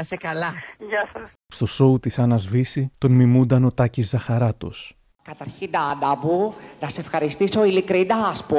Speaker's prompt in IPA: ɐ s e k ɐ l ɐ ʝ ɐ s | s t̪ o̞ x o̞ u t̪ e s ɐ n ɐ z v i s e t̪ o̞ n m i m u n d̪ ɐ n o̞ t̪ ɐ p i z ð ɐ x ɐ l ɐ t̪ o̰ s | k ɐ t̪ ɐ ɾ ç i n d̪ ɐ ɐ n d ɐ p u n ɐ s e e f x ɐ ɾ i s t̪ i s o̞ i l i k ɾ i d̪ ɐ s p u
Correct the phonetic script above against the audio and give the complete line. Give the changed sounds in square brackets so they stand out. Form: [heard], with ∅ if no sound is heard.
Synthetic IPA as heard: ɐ s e k ɐ l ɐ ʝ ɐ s | s t̪ o̞ [s] o̞ u t̪ [i] s ɐ n ɐ z v i s [i] t̪ o̞ n m i m u n d̪ ɐ n o̞ t̪ ɐ [c] i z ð ɐ x ɐ [ɾ] ɐ t̪ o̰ s | k ɐ t̪ ɐ ɾ ç i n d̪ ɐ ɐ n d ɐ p u n ɐ s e e f x ɐ ɾ i s t̪ i s o̞ i l i k ɾ i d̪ ɐ s p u